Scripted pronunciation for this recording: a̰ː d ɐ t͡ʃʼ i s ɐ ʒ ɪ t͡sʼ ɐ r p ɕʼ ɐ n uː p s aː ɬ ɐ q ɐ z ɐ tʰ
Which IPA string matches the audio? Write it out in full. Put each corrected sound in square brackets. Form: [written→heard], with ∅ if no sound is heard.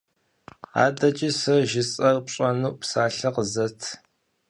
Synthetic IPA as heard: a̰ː d ɐ t͡ʃʼ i s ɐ ʒ ɪ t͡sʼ ɐ r p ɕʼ ɐ n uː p s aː ɬ ɐ q [ɐ→ə] z ɐ tʰ